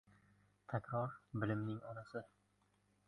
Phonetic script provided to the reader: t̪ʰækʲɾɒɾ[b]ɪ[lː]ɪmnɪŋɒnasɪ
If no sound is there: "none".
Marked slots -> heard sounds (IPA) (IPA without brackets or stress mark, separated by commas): b, l